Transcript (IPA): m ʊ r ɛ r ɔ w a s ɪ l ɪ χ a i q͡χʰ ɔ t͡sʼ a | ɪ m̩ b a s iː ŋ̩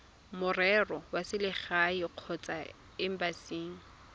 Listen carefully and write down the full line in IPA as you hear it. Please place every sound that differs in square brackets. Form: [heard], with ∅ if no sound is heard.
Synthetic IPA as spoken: m ʊ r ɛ r ɔ w a s ɪ l ɪ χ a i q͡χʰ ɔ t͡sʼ a | ɪ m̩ b a s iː ŋ̩